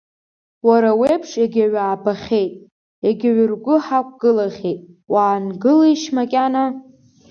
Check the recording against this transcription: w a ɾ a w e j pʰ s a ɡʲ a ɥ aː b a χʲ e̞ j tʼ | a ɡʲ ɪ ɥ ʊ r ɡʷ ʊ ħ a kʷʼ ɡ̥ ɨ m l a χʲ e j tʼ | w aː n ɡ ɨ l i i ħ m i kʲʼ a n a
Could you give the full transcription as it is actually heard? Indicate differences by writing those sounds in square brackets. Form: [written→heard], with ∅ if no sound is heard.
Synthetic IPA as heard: w a ɾ a w e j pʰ [s→ʂ] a ɡʲ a ɥ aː b a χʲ e̞ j tʼ | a ɡʲ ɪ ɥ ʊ r ɡʷ ʊ ħ a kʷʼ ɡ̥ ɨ [m→∅] l a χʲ e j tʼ | w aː n ɡ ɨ l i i [ħ→ʃ] m [i→a] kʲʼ a n a